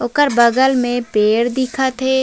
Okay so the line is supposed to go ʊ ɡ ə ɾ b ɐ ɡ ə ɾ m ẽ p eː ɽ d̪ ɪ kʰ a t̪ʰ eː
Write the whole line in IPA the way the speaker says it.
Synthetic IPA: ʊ k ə ɾ b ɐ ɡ ə l m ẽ p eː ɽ d̪ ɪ kʰ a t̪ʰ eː